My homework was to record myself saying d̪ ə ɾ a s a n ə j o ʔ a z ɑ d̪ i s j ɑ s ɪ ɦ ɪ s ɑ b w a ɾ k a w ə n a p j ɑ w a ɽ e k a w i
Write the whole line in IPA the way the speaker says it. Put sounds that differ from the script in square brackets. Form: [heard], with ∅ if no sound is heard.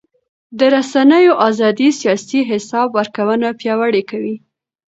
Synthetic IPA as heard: d̪ ə ɾ a s a n ə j o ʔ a z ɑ d̪ i s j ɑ s [i] ɦ ɪ s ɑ b w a ɾ k a w ə n a p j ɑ w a ɽ e k a w i